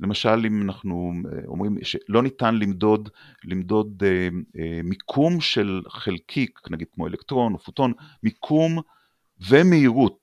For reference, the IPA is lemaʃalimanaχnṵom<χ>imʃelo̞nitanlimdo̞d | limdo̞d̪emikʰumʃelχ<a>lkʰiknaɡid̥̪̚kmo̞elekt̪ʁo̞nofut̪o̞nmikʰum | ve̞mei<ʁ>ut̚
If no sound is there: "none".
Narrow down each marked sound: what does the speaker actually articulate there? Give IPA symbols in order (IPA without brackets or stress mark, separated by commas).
ʁ, e, ʁ